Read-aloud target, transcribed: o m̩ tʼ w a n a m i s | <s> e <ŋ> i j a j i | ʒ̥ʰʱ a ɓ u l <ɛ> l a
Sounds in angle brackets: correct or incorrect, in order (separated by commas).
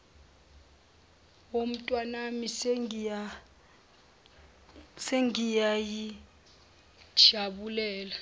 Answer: correct, correct, incorrect